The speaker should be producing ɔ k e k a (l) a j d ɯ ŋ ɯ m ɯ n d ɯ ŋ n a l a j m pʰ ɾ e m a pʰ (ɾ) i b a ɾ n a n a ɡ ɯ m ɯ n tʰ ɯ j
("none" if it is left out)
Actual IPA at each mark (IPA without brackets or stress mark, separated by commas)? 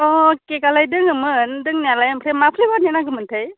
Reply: l, l